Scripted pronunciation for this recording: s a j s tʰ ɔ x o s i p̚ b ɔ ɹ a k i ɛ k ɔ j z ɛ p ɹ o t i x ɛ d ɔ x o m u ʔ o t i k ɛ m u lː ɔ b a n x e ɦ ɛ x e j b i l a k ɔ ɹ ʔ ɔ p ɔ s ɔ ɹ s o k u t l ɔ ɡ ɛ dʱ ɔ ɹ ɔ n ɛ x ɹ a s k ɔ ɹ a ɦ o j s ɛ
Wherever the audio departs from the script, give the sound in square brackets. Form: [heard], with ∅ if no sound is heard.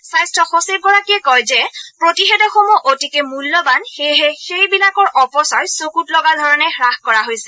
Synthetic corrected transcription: s a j s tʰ ɔ x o s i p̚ [ɡ] ɔ ɹ a k i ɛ k ɔ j z ɛ p ɹ o t i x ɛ d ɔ x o m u ʔ o t i k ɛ m u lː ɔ b a n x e ɦ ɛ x e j b i l a k ɔ ɹ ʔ ɔ p ɔ s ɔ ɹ s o k u t l ɔ ɡ [a] dʱ ɔ ɹ ɔ n ɛ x ɹ a [x] k ɔ ɹ a ɦ o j s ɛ